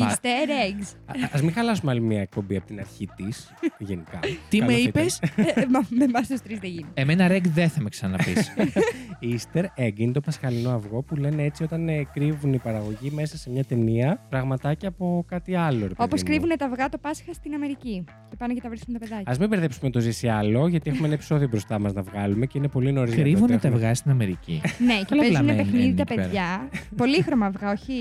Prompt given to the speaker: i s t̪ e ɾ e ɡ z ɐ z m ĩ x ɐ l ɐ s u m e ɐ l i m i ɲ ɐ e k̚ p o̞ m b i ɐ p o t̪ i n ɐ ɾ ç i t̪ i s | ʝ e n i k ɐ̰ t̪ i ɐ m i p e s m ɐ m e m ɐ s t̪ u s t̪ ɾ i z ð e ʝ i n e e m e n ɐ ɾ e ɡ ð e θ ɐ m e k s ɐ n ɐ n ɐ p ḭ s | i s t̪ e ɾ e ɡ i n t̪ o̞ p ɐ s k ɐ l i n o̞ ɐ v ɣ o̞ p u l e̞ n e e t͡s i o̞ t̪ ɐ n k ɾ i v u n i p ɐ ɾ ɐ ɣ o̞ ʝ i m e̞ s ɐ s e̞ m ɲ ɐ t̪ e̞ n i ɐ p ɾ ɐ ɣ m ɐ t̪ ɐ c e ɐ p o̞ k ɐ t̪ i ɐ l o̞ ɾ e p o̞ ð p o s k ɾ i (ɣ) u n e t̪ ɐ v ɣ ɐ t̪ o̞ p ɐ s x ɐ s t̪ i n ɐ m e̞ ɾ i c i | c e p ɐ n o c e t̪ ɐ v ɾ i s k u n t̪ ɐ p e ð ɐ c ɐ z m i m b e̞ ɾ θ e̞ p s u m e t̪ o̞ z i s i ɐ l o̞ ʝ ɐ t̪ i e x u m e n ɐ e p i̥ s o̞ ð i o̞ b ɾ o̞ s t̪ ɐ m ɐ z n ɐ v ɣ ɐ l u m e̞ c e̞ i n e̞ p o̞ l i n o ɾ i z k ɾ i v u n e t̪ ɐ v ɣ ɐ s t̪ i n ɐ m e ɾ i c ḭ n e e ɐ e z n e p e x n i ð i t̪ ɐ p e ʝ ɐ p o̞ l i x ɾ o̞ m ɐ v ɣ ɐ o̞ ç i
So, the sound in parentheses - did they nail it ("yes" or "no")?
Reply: no